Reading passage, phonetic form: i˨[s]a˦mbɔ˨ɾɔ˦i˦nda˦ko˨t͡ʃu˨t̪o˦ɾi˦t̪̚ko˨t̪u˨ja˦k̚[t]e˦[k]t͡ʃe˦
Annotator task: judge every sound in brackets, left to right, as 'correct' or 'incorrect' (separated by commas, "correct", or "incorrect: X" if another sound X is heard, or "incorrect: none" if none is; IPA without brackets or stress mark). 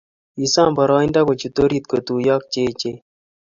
correct, incorrect: t͡ʃ, incorrect: none